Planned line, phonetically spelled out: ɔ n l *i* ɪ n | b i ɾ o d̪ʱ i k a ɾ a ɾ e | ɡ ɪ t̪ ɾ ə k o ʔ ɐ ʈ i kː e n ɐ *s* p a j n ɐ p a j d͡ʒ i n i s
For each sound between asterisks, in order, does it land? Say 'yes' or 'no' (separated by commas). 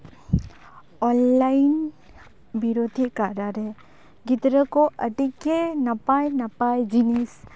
no, no